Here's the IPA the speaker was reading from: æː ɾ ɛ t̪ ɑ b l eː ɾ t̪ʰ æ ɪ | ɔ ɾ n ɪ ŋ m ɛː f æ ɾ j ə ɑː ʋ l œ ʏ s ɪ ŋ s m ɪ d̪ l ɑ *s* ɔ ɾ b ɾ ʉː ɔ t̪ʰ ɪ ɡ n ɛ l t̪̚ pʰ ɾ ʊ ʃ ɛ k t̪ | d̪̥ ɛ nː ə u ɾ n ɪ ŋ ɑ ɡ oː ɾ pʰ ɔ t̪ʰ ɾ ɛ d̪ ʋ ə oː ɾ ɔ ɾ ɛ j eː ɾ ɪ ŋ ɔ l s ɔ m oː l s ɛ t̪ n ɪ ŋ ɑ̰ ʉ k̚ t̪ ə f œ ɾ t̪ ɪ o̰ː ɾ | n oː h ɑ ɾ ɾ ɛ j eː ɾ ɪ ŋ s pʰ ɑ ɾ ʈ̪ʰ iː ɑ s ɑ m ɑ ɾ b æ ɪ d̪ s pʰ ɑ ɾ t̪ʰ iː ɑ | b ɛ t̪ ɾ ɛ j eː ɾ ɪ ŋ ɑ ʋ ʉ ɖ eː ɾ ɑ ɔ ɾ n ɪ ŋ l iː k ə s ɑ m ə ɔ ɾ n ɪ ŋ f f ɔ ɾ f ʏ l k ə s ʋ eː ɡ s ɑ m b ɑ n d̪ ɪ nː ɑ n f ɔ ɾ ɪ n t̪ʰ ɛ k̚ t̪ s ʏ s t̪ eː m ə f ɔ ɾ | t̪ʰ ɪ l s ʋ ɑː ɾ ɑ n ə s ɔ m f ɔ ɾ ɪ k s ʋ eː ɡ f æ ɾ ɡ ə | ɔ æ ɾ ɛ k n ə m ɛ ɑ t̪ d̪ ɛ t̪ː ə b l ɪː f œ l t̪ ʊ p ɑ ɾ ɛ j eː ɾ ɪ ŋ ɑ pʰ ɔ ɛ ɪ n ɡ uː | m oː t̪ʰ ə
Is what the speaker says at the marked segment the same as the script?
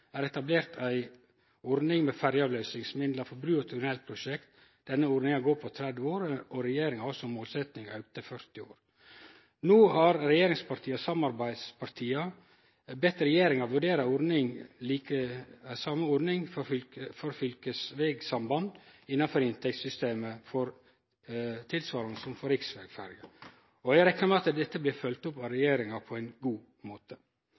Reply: no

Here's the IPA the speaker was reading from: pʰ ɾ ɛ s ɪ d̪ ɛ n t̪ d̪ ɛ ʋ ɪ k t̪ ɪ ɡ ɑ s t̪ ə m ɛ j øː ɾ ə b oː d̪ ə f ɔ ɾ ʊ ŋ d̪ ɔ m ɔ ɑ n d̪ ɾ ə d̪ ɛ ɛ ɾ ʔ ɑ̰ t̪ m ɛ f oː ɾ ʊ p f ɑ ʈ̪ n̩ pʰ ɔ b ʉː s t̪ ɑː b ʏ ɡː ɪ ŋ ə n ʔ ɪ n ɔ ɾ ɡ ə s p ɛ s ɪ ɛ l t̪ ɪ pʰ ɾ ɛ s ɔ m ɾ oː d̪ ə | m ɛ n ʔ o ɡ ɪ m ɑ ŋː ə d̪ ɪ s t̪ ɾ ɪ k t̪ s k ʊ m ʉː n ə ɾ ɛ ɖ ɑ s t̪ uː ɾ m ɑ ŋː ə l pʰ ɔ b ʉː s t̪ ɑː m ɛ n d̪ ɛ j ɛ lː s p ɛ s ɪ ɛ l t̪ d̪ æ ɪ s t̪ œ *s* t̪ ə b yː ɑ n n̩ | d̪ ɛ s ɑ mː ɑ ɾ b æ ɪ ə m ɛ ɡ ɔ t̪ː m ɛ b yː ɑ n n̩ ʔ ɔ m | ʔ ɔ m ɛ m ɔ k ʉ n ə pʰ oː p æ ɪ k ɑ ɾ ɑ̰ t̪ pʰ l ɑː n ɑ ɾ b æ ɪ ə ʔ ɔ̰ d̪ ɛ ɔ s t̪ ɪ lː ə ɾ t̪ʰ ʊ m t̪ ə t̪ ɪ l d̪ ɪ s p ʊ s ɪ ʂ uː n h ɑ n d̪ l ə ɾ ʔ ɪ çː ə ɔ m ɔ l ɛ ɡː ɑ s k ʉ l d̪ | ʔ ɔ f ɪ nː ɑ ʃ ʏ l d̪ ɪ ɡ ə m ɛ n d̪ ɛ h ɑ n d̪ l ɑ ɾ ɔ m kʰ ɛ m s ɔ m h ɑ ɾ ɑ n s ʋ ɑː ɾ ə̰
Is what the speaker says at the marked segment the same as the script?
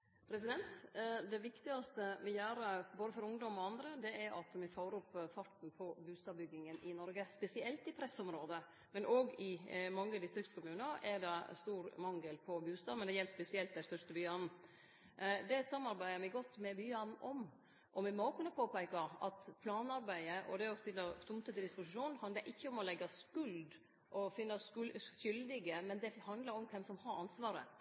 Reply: no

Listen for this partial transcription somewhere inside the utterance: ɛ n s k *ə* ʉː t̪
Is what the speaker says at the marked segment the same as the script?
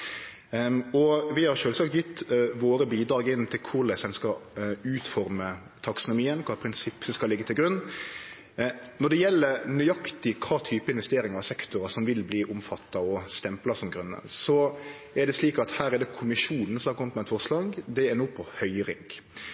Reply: no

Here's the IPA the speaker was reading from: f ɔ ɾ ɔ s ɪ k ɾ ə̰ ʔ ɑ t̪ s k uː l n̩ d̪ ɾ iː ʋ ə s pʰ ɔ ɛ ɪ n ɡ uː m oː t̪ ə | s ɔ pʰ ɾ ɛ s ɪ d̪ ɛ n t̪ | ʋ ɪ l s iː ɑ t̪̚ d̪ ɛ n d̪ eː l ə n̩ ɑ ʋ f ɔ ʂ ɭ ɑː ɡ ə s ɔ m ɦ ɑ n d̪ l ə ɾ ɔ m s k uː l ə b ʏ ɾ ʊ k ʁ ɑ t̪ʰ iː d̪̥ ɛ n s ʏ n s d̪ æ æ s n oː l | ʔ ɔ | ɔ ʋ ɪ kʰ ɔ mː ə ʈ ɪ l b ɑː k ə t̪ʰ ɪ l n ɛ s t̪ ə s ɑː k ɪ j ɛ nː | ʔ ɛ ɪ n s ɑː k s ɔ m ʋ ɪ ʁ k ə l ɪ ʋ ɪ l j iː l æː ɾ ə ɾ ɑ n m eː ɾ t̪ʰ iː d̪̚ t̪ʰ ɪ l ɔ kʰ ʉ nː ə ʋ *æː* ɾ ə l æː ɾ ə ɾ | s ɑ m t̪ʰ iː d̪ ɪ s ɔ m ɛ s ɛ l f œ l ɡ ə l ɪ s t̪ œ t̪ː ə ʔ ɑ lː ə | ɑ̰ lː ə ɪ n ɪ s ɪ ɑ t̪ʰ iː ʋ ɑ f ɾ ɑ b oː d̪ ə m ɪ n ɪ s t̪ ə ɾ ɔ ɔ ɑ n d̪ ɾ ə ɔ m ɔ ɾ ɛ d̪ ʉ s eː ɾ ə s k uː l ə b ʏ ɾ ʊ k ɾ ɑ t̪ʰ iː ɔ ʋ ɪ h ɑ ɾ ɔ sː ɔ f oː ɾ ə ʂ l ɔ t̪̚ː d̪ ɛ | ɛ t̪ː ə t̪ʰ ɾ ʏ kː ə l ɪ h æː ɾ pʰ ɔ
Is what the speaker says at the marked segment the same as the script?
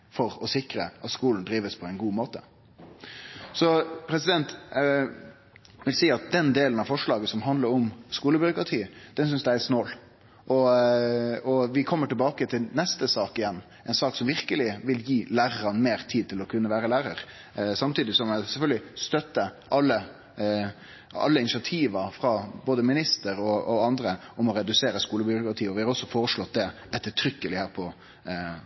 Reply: yes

